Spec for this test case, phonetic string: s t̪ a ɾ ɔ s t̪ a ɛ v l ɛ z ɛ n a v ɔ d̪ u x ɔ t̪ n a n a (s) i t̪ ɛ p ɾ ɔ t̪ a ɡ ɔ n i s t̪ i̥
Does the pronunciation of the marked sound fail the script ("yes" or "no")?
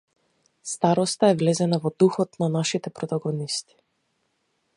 yes